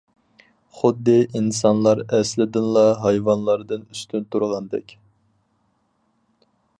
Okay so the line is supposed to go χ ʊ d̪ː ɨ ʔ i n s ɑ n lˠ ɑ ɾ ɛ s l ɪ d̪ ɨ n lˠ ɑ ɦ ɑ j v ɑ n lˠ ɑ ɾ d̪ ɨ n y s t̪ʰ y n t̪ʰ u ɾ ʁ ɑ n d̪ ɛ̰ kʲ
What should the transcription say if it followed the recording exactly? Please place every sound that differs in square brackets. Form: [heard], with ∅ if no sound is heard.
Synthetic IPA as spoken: χ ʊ d̪ː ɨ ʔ i n s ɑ n lˠ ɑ ɾ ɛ s l ɪ d̪ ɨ n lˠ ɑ ɦ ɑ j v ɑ n lˠ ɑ ɾ d̪ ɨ n y s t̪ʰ y n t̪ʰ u ɾ ʁ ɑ n d̪ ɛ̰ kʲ